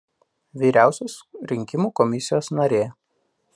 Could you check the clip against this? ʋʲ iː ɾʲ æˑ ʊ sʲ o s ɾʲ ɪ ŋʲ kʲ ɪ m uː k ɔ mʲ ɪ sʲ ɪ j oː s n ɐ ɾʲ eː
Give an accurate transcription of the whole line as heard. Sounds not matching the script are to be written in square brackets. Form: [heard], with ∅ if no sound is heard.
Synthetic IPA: ʋʲ iː ɾʲ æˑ ʊ sʲ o s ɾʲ ɪ ŋʲ kʲ ɪ m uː k ɔ mʲ ɪ sʲ ɪ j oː s n ɐ ɾʲ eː